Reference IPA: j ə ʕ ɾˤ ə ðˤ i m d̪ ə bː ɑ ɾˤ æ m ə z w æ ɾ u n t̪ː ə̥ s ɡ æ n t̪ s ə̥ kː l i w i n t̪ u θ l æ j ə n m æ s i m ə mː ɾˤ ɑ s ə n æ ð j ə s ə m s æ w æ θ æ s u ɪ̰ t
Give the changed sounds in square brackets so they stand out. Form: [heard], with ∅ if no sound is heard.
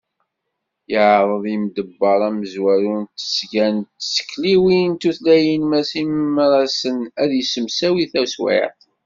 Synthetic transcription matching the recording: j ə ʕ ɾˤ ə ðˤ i m d̪ ə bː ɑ ɾˤ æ m ə z w æ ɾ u n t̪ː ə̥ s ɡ æ n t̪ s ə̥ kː l i w i n t̪ u θ l æ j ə n m æ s i m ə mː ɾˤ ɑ s ə n æ ð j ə s ə m s æ w [i] θ æ s [w] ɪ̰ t